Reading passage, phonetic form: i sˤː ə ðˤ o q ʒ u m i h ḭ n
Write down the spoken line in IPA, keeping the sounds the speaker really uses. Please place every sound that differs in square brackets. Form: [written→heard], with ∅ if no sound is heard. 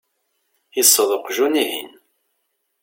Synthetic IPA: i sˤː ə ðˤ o q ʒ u [m→n] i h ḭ n